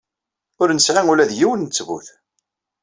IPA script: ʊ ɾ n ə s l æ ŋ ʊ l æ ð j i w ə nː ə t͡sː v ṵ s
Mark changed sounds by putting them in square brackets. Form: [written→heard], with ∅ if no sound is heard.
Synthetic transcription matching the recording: ʊ ɾ n ə s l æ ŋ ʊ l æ ð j i w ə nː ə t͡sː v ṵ [s→θ]